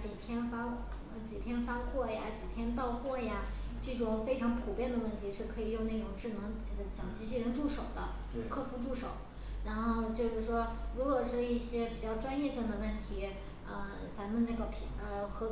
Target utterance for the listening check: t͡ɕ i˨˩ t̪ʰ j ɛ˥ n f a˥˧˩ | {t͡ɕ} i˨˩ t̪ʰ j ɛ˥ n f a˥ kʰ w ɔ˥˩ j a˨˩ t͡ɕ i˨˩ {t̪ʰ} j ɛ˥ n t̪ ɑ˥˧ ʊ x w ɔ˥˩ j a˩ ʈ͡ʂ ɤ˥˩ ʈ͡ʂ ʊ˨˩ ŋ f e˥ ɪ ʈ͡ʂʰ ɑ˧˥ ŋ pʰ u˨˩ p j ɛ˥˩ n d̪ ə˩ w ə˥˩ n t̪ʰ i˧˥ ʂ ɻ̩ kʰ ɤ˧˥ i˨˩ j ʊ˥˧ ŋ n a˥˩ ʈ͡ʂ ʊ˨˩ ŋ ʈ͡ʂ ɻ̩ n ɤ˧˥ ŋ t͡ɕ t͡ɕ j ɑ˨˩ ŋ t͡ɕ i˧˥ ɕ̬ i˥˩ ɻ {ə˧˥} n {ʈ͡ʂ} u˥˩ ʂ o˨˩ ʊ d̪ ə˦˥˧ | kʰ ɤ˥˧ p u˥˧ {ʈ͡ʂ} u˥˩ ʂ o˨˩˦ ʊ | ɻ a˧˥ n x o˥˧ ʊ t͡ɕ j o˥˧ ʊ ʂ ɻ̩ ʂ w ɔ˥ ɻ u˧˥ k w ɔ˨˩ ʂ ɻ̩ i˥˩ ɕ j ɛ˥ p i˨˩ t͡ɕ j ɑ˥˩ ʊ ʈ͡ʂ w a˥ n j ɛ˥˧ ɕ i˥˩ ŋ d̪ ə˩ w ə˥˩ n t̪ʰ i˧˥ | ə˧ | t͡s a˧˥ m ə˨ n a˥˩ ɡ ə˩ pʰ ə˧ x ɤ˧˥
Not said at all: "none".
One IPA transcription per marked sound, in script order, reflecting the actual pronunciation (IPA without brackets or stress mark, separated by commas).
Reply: t͡ɕ, t̪ʰ, ə˧˥, ʈ͡ʂ, ʈ͡ʂ